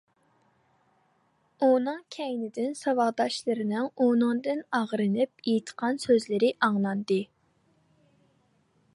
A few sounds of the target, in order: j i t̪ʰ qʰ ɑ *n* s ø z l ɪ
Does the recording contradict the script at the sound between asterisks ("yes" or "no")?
no